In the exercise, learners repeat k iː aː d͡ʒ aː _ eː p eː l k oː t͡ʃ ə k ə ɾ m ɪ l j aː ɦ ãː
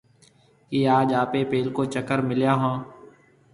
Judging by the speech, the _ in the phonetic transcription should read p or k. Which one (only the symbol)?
p